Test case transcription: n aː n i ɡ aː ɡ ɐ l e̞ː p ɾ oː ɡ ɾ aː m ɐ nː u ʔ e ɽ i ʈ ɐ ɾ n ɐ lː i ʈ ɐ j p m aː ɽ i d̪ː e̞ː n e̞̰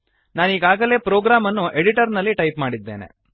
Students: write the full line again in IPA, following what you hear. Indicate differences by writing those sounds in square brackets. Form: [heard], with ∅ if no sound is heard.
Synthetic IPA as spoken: n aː n [iː] ɡ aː ɡ ɐ l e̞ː p ɾ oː ɡ ɾ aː m ɐ nː u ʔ e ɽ i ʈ ɐ ɾ n ɐ lː i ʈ ɐ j p m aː ɽ i d̪ː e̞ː n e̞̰

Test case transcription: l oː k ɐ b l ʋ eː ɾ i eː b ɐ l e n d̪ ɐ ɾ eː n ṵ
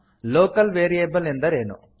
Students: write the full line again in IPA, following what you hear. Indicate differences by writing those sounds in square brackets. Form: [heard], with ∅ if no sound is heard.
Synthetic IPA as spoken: l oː k ɐ [∅] l ʋ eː ɾ i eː b ɐ l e n d̪ ɐ ɾ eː n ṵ

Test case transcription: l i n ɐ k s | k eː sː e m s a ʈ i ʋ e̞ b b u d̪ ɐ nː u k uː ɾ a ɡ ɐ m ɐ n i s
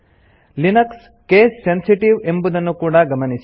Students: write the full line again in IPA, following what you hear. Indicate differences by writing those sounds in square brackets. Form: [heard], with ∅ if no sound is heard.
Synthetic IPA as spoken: l i n ɐ k s | k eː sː e [n] s [i] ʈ i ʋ e̞ [m] b u d̪ ɐ nː u k uː [ɽ] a ɡ ɐ m ɐ n i s

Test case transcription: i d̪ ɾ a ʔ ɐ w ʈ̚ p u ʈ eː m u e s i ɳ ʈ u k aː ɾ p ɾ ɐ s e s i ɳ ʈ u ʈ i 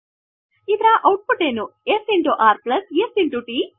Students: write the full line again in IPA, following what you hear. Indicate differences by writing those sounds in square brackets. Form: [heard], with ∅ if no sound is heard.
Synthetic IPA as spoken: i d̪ ɾ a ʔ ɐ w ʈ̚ p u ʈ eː [n] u e s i ɳ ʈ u [ʔ] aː ɾ p [l] ɐ s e s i ɳ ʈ u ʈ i

